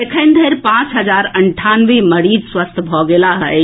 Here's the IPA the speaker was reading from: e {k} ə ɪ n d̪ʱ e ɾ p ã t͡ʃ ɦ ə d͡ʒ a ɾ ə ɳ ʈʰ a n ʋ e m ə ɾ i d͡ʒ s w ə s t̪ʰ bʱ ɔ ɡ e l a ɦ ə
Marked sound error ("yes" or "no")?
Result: yes